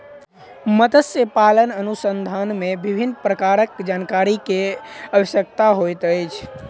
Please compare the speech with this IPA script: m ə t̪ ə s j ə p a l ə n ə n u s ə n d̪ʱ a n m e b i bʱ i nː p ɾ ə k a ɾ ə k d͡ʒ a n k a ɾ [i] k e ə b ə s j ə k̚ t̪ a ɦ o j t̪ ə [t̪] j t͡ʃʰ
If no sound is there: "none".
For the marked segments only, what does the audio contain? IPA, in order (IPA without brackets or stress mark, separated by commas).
i, none